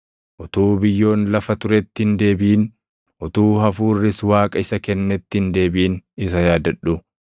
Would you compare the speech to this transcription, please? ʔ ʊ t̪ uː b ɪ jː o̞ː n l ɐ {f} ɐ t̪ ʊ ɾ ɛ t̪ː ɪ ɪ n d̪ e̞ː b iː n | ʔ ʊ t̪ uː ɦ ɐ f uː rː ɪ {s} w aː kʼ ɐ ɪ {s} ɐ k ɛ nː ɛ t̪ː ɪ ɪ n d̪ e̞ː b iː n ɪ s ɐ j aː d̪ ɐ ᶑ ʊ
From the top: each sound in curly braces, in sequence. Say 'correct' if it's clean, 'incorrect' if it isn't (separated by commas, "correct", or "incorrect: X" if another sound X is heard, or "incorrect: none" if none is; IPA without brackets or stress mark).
correct, correct, correct